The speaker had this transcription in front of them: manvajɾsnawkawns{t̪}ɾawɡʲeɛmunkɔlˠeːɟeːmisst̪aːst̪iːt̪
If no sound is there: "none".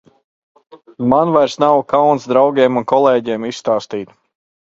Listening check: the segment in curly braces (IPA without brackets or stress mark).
d̪